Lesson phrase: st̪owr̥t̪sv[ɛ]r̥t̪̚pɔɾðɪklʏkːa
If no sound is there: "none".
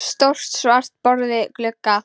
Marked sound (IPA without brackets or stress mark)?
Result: a